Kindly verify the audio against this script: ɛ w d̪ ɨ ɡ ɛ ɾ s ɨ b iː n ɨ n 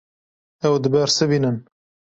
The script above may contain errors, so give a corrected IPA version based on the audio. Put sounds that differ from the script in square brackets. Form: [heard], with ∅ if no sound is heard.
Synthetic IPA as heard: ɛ w d̪ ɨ [b] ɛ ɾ s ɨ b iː n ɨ n